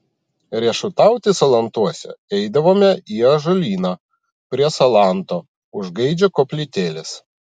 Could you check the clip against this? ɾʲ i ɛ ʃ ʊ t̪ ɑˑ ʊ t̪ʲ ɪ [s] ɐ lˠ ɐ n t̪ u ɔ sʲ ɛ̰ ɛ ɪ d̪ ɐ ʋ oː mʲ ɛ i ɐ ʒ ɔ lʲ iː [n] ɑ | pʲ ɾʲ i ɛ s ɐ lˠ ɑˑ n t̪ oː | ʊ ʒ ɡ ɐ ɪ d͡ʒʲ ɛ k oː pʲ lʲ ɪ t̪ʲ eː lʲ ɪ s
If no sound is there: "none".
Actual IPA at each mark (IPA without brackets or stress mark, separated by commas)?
s, n